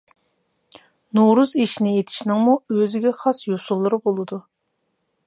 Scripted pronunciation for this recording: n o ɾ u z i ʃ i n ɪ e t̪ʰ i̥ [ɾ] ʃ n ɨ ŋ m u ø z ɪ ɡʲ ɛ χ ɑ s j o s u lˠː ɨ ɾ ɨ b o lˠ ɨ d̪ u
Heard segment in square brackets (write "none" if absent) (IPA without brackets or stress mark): none